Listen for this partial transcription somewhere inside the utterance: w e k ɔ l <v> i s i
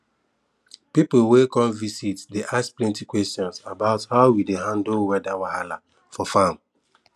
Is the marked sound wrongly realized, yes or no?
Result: no